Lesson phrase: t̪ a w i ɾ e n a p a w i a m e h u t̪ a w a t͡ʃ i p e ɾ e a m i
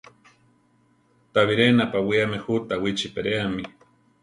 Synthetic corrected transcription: t̪ a β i ɾ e n a p a w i a m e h u t̪ a w i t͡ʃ i p e ɾ e a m i